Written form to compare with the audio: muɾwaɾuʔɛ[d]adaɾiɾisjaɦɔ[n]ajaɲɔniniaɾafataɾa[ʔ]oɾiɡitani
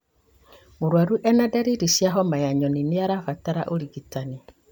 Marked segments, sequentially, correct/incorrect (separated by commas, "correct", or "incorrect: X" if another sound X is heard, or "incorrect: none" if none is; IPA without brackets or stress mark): incorrect: n, incorrect: m, correct